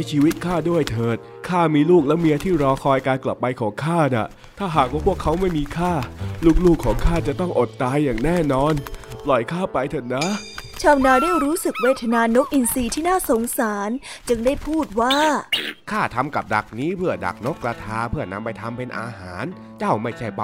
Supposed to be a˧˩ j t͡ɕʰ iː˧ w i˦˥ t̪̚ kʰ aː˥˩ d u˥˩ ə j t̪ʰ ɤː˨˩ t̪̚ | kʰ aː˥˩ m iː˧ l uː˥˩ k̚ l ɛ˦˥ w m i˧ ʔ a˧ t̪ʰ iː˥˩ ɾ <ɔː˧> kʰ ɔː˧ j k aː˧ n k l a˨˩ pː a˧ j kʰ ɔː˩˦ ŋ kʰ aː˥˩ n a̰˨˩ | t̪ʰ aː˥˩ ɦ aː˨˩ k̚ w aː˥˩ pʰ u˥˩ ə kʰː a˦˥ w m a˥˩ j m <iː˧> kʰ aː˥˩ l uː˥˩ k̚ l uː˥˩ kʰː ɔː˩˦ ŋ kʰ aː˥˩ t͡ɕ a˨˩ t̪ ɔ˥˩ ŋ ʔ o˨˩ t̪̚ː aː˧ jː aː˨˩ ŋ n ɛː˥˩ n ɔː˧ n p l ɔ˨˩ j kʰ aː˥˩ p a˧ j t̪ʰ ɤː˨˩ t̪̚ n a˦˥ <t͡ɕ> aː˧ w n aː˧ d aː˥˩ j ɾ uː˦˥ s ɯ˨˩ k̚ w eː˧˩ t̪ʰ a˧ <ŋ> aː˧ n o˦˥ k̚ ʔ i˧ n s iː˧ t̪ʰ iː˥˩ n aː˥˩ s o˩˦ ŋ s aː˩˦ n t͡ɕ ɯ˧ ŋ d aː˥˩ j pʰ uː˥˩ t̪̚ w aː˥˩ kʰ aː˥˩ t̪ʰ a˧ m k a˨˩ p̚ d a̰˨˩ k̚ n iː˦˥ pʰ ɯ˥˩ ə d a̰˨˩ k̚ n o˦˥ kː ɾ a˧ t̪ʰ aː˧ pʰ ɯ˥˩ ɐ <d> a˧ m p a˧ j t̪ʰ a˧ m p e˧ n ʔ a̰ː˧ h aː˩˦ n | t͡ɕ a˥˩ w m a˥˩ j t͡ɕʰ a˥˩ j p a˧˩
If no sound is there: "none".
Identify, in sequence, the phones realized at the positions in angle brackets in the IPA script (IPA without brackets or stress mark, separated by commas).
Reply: ɔː˧, iː˧, t͡ɕʰ, n, n